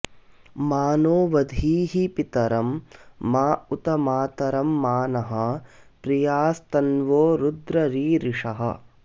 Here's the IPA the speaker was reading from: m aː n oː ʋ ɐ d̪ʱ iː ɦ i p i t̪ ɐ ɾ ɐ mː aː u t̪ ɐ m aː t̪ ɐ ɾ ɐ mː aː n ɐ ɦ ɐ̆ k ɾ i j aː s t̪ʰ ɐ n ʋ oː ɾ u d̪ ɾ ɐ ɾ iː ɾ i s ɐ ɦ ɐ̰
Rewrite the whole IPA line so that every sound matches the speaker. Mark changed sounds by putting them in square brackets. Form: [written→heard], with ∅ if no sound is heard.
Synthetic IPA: m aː n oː ʋ ɐ d̪ʱ iː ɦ i p i t̪ ɐ ɾ ɐ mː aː u t̪ ɐ m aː t̪ ɐ ɾ ɐ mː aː n ɐ ɦ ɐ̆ [k→p] ɾ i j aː s [t̪ʰ→t̪] ɐ n ʋ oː ɾ u d̪ ɾ ɐ ɾ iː ɾ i [s→ʂ] ɐ ɦ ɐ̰